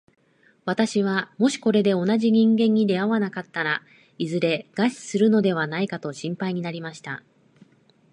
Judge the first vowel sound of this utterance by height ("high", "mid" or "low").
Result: low